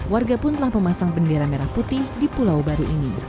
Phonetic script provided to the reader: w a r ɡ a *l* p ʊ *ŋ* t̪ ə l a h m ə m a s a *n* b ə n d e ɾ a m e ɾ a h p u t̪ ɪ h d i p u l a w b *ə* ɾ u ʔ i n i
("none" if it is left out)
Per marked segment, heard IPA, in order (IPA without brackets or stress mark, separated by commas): none, n, ŋ, a